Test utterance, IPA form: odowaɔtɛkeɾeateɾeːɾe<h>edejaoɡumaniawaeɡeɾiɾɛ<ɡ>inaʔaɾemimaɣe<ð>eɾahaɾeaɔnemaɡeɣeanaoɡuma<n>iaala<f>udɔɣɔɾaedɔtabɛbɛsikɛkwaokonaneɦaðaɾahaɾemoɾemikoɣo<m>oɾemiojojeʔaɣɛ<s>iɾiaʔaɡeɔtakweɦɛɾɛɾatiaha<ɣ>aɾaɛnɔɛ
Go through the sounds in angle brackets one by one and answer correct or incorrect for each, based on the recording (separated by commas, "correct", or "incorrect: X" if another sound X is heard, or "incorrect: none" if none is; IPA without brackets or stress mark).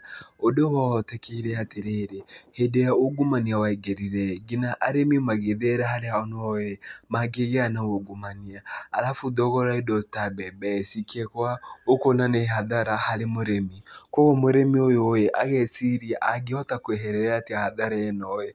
correct, correct, correct, correct, correct, correct, correct, incorrect: ð